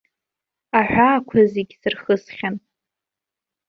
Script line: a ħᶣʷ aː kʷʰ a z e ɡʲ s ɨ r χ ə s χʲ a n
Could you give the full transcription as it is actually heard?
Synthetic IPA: a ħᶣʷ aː kʷʰ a z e ɡʲ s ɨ r χ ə s χʲ a n